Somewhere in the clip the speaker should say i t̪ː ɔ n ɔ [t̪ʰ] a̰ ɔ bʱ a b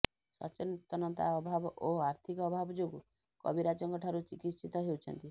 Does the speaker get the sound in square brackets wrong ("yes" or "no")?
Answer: yes